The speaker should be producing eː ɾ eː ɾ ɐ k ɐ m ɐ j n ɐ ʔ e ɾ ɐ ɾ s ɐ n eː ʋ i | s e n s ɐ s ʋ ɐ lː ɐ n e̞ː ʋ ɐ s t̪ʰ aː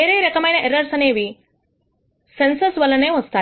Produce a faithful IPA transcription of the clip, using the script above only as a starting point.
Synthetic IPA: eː ɾ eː ɾ ɐ k ɐ m ɐ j n ɐ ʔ e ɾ ɐ ɾ s ɐ n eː ʋ i | s e n s ɐ s ʋ ɐ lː ɐ n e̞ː ʋ ɐ s t̪ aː